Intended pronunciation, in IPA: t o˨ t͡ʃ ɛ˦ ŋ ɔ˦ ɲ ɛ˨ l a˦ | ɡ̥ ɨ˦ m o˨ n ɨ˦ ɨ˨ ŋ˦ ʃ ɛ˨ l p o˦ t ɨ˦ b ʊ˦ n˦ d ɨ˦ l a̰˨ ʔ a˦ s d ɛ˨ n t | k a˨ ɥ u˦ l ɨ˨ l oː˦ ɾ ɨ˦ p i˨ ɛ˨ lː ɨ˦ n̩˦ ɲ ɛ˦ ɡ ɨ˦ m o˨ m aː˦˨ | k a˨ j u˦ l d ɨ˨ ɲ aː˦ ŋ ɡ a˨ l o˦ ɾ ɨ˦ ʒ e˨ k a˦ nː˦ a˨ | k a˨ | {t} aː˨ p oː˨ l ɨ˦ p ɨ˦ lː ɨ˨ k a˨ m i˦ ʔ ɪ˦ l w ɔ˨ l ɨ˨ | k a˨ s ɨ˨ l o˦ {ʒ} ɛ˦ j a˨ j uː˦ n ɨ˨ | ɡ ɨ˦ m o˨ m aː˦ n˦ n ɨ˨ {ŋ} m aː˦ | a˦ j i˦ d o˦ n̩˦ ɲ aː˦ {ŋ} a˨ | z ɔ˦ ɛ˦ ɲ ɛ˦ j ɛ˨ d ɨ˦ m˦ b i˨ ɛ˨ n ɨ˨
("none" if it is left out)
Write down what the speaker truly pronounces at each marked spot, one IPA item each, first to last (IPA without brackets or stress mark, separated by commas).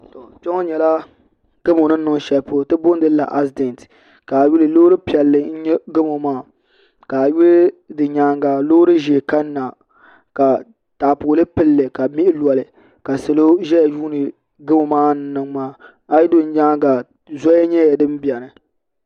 t, ʒ, ŋ, ɡ